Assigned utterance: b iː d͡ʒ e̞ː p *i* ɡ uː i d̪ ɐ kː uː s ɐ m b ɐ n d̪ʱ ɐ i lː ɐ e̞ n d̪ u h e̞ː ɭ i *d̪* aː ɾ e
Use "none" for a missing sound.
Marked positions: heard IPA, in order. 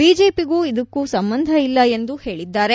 i, d̪ː

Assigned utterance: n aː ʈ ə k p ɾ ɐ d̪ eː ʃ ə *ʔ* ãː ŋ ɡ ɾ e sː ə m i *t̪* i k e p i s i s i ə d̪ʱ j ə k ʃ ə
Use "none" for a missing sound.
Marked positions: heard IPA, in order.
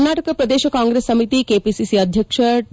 k, t̪

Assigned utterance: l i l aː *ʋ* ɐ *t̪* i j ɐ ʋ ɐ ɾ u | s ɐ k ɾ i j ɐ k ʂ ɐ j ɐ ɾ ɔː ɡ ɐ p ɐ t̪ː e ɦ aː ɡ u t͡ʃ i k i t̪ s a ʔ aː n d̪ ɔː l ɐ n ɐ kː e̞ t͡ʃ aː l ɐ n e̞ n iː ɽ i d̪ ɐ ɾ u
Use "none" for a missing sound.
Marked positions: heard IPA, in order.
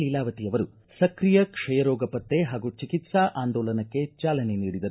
ʋ, t̪

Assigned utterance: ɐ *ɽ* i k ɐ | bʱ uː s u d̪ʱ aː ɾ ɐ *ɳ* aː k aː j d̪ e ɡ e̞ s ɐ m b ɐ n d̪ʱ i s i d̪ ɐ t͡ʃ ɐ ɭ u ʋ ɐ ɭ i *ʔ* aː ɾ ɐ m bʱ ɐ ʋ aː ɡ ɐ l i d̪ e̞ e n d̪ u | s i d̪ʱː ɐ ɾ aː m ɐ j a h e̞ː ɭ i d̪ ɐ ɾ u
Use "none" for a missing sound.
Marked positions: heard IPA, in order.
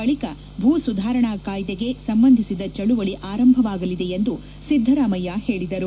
ɭ, ɳ, ʔ

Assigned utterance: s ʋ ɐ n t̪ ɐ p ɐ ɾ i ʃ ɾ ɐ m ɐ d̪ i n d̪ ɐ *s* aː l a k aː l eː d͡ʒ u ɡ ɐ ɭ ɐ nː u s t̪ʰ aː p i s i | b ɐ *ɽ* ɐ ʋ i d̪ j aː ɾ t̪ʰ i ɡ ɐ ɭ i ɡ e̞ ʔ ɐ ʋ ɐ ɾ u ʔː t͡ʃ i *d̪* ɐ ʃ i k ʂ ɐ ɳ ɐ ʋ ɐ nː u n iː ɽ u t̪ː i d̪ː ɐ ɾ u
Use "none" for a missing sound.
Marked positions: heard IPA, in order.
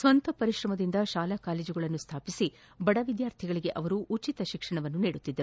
ʃ, ɽ, t̪

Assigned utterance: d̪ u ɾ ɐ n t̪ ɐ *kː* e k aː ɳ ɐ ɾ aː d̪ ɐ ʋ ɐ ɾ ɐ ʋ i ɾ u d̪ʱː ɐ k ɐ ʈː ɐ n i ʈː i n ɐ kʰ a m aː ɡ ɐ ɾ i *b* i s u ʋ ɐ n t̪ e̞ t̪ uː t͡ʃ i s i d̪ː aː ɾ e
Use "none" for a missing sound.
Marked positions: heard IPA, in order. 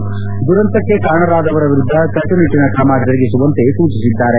kː, ɡ

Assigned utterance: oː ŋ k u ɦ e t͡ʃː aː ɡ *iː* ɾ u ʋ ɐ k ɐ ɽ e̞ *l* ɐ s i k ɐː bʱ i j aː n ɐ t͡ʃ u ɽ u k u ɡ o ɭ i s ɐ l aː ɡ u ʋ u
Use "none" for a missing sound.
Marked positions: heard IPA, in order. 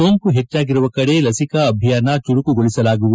i, l

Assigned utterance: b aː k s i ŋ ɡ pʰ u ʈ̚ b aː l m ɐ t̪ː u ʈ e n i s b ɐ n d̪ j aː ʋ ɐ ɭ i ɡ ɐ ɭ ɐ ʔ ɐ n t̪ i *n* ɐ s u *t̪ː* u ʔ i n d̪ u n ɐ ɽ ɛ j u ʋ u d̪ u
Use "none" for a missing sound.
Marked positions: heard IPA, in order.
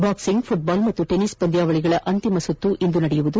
m, t̪ː

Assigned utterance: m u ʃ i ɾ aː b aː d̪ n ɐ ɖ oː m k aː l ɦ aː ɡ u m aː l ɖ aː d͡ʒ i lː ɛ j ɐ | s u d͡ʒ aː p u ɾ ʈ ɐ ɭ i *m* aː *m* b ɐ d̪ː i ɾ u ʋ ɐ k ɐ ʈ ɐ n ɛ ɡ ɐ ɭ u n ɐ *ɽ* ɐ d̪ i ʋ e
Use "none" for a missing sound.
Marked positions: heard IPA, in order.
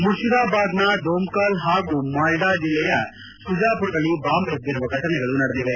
b, m, ɽ

